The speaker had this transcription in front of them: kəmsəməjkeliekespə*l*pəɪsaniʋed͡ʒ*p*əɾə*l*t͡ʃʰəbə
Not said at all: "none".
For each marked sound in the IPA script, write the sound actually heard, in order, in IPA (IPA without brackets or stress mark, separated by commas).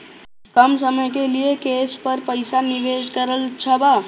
ɾ, k, l